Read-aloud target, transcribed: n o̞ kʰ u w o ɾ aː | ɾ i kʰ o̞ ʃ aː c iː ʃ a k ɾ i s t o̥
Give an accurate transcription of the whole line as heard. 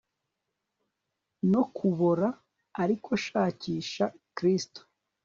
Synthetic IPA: n o̞ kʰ u β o ɾ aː | ɾ i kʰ o̞ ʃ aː c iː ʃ a k ɾ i s t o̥

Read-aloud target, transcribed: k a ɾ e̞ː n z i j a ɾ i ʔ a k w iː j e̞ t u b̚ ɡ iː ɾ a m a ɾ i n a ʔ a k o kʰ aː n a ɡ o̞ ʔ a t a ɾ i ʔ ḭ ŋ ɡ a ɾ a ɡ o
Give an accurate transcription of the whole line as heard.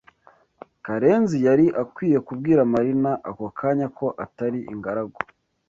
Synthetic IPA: k a ɾ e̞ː n z i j a ɾ i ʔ a k w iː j e̞ k u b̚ ɡ iː ɾ a m a ɾ i n a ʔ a k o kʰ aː ɲ a k o̞ ʔ a t a ɾ i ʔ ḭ ŋ ɡ a ɾ a ɡ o

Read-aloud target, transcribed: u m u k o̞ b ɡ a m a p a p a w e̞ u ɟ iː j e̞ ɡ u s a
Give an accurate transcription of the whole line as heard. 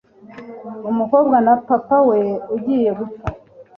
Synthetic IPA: u m u k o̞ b ɡ a n a p a p a w e̞ u ɟ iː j e̞ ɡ u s a

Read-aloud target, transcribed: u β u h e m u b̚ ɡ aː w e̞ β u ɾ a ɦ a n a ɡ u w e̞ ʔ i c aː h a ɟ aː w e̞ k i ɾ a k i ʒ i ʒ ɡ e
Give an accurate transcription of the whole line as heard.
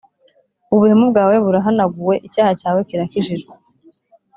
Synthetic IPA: u β u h e m u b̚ ɡ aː w e̞ β u ɾ a ɦ a n a ɡ u w e̞ ʔ i c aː h a c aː w e̞ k i ɾ a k i ʒ i ʒ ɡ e

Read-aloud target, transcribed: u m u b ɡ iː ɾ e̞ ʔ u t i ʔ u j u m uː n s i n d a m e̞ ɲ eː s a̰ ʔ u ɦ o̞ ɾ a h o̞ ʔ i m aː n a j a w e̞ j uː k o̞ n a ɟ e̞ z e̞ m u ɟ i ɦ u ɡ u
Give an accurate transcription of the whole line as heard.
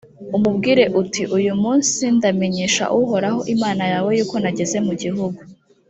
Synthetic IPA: u m u b ɡ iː ɾ e̞ ʔ u t i ʔ u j u m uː n s i n d a m e̞ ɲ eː ʃ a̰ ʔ u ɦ o̞ ɾ a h o̞ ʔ i m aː n a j a w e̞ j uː k o̞ n a ɟ e̞ z e̞ m u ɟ i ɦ u ɡ u

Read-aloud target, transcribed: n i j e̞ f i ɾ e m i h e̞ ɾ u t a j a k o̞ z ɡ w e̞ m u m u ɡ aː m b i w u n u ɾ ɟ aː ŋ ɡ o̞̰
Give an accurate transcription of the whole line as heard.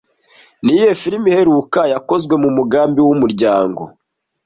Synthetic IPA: n i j e̞ f i ɾ i m i h e̞ ɾ u k a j a k o̞ z ɡ w e̞ m u m u ɡ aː m b i w u m u ɾ ɟ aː ŋ ɡ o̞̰

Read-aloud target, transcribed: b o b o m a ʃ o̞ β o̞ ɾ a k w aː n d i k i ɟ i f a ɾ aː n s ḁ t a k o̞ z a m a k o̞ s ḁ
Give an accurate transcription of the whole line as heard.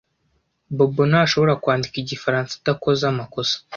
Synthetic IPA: b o b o n a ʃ o̞ β o̞ ɾ a k w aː n d i k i ɟ i f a ɾ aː n s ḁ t a k o̞ z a m a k o̞ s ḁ

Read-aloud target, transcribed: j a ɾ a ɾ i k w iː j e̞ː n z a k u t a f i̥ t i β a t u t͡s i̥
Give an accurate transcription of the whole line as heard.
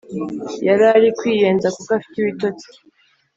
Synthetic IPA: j a ɾ a ɾ i k w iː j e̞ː n z a k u k a f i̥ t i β i t o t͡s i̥

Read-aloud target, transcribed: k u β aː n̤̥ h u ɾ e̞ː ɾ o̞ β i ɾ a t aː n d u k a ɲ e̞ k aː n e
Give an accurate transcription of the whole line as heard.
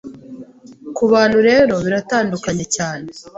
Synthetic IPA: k u β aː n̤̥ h u ɾ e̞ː ɾ o̞ β i ɾ a t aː n d u k a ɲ e̞ c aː n e

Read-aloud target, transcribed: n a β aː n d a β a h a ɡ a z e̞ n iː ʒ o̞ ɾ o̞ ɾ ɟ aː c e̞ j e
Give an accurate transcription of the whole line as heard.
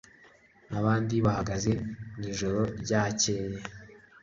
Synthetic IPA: n a β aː n d i β a h a ɡ a z e̞ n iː ʒ o̞ ɾ o̞ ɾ ɟ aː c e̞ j e

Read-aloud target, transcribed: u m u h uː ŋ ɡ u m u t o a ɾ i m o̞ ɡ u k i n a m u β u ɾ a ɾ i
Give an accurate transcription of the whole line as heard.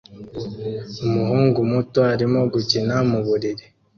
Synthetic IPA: u m u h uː ŋ ɡ u m u t o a ɾ i m o̞ ɡ u c i n a m u β u ɾ i ɾ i

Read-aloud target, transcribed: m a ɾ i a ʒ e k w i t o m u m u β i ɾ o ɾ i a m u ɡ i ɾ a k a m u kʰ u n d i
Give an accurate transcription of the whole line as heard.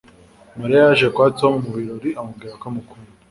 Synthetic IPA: m a ɾ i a ʒ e k w a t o m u m u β i ɾ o ɾ i a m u ɡ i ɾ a k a m u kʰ u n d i

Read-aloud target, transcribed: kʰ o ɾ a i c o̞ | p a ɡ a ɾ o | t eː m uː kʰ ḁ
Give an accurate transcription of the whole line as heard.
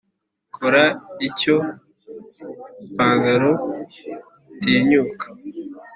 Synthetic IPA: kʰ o ɾ a i c o̞ | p a ɡ a ɾ o | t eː ɲ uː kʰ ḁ

